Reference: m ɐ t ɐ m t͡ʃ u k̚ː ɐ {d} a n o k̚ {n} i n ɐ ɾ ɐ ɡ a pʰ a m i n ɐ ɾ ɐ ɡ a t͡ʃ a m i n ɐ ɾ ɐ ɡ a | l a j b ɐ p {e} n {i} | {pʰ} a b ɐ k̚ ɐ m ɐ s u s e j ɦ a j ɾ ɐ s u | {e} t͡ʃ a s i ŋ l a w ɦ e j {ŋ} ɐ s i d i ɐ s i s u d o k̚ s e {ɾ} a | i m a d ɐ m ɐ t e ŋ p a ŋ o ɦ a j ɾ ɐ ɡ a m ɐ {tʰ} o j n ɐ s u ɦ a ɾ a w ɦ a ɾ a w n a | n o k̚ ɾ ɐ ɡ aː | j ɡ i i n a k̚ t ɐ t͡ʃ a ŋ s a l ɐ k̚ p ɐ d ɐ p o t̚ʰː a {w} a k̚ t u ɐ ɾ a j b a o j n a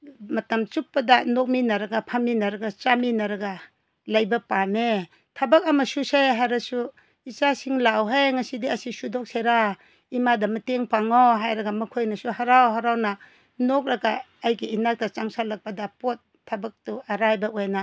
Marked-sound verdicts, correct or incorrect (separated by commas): correct, incorrect, incorrect, incorrect, incorrect, incorrect, correct, correct, incorrect, incorrect